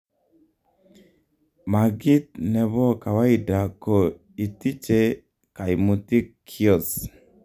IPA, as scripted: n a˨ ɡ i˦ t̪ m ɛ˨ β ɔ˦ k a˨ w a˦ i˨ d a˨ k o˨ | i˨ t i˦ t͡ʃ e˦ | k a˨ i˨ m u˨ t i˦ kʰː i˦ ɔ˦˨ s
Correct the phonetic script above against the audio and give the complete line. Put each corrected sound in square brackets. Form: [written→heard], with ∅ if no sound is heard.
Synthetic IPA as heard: [n→m] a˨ ɡ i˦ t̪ [m→n] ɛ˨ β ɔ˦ k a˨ w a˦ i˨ d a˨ k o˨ | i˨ t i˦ t͡ʃ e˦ | k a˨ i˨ m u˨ t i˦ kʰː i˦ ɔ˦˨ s